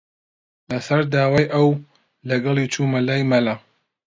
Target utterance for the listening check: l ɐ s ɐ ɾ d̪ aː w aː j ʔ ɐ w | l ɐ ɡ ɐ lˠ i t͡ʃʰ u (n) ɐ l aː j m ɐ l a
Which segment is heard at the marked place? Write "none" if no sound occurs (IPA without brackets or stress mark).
m